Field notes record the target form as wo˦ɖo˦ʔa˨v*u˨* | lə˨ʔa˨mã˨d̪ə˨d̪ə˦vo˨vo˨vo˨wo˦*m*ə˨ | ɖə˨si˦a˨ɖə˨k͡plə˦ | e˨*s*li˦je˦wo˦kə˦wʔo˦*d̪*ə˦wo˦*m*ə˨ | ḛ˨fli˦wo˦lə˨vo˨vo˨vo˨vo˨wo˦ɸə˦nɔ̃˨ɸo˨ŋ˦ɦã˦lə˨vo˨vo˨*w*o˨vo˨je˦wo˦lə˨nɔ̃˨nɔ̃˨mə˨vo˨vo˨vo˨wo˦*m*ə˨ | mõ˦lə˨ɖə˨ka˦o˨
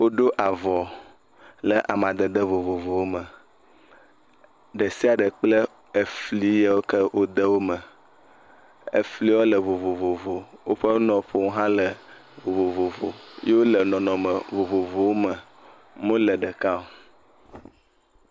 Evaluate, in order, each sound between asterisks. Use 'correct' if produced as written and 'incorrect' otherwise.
incorrect: ɔ˨, correct, incorrect: f, correct, correct, incorrect: v, correct

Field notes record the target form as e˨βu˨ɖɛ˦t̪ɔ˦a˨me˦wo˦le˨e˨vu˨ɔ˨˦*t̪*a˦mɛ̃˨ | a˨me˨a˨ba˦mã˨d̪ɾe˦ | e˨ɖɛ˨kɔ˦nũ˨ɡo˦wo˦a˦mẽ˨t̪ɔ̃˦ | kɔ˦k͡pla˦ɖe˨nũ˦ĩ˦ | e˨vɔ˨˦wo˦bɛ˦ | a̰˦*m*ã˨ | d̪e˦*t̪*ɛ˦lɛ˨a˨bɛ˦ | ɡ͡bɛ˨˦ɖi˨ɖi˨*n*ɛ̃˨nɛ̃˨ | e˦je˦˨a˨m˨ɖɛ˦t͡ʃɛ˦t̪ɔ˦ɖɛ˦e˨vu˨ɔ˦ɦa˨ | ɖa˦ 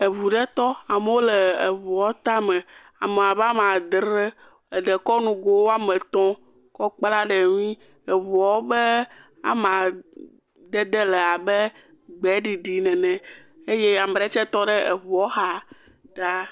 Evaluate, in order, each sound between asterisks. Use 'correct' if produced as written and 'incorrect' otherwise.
correct, correct, incorrect: d̪, correct

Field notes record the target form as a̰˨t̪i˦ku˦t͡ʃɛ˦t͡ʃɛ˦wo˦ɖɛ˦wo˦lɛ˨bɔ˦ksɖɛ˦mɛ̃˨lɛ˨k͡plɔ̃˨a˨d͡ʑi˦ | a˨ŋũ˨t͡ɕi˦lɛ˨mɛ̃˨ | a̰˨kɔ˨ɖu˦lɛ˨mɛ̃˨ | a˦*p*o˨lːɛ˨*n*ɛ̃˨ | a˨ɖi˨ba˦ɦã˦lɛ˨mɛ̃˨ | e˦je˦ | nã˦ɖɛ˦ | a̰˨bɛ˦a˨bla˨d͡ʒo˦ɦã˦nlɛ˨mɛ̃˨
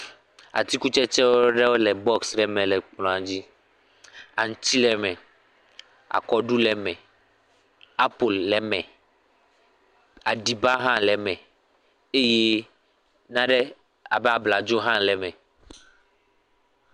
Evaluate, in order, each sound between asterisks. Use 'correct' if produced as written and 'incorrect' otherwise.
correct, incorrect: m

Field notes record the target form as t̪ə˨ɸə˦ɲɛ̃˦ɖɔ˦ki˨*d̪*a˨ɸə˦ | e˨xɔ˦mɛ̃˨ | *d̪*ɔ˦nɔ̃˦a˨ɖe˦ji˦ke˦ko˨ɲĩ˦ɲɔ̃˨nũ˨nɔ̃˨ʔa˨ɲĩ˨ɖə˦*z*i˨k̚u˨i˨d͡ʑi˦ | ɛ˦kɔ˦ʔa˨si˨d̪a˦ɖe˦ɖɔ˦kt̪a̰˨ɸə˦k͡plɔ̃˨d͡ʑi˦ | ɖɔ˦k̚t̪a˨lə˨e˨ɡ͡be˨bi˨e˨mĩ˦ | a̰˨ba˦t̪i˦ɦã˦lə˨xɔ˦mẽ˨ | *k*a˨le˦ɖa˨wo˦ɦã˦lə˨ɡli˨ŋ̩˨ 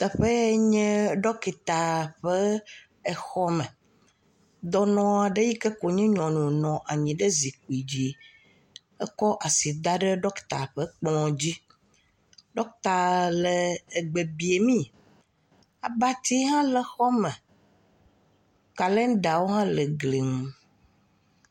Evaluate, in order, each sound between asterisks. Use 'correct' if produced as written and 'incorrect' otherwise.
incorrect: t̪, correct, correct, correct

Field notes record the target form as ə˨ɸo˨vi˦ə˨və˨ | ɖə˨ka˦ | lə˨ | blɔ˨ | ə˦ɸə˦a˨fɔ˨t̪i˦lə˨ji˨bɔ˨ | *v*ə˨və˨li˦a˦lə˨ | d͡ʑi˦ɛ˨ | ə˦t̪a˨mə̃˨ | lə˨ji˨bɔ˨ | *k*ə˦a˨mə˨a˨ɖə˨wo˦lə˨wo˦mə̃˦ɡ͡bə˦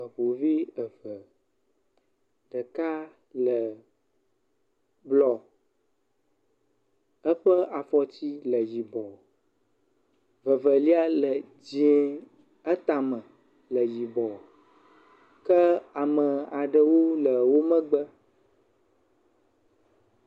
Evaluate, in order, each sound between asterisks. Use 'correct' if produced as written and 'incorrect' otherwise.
correct, correct

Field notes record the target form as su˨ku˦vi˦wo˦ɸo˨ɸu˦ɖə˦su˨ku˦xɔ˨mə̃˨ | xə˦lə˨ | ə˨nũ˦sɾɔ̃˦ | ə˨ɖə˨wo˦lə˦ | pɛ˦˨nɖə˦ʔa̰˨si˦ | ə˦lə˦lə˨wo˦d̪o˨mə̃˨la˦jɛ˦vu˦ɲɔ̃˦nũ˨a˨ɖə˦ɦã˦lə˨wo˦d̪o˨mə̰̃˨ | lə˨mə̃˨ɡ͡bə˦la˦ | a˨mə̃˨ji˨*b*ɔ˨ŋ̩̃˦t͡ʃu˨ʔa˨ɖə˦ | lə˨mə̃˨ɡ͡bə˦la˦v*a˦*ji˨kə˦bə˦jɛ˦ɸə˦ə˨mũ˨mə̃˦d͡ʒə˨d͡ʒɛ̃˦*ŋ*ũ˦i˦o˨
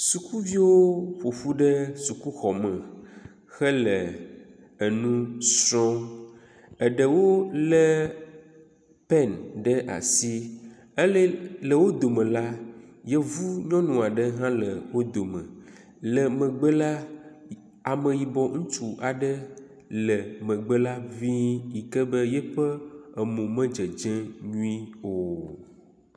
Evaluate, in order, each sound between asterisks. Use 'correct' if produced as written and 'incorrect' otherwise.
correct, incorrect: i˦, incorrect: ɲ

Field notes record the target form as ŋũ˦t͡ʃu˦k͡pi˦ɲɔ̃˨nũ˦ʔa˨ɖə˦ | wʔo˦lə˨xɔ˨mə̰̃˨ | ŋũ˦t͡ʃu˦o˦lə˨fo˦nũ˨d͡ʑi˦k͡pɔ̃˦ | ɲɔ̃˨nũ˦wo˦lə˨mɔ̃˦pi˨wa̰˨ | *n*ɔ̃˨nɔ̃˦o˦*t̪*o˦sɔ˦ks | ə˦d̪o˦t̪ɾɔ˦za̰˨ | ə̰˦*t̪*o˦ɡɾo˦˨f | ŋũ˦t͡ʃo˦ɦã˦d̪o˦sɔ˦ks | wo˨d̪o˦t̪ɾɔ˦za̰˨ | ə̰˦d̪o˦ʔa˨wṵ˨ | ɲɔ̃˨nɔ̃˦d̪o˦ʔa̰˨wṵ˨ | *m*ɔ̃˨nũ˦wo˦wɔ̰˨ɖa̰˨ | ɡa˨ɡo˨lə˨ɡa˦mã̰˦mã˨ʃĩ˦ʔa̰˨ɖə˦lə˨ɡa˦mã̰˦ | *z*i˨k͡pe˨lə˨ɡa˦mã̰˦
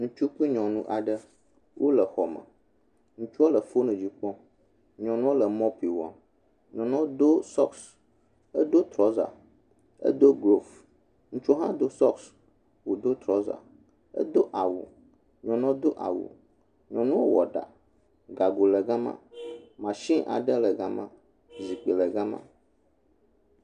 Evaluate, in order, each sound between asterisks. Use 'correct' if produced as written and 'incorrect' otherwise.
incorrect: ɲ, incorrect: d̪, incorrect: d̪, incorrect: ɲ, correct

